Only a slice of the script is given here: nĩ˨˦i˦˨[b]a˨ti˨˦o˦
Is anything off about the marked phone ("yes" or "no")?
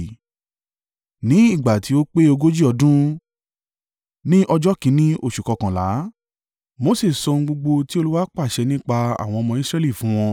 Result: yes